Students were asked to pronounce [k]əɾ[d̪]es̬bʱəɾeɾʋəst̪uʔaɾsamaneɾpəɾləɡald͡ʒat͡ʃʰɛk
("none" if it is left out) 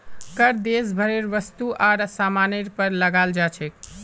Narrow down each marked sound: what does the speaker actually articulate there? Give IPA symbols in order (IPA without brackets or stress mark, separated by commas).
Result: k, d̪